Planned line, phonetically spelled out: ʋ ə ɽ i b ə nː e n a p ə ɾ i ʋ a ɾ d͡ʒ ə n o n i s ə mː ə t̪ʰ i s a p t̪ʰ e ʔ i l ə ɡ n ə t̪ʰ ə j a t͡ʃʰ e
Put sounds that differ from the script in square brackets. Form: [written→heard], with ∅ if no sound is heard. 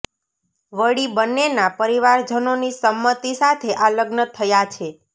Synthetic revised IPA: ʋ ə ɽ i b ə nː e n a p ə ɾ i ʋ a ɾ d͡ʒ ə n o n i s ə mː ə [t̪ʰ→t̪] i s a [p→∅] t̪ʰ e ʔ [i→a] l ə ɡ n ə t̪ʰ ə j a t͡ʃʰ e